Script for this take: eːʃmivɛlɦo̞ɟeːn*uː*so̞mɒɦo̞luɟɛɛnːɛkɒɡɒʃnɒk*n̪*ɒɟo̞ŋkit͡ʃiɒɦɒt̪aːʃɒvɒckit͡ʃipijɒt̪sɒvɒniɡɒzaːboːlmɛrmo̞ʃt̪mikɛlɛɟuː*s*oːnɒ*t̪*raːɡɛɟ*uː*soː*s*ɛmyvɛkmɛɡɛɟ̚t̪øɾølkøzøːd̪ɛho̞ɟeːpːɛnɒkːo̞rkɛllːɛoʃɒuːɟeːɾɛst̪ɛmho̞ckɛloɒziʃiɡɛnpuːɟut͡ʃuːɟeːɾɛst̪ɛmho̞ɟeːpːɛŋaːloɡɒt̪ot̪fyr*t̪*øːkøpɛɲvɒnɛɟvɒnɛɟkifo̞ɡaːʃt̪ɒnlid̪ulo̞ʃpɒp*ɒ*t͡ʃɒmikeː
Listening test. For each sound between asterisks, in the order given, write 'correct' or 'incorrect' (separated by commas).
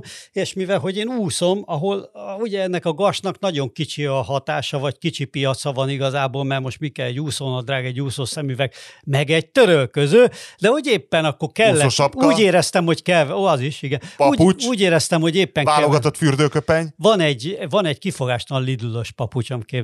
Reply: correct, correct, correct, incorrect, correct, correct, incorrect, incorrect